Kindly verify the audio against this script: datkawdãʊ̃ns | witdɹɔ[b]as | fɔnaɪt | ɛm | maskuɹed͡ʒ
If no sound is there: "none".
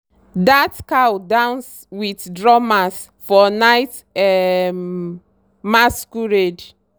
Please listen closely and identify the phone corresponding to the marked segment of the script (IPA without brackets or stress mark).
m